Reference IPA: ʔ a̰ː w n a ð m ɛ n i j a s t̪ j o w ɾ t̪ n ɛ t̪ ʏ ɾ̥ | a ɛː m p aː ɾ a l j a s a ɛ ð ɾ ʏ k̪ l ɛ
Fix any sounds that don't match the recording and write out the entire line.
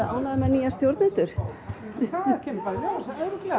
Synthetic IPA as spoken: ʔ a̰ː w n a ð m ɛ n i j a s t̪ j o w ɾ t̪ n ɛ t̪ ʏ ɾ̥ | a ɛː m p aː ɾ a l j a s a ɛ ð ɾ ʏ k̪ l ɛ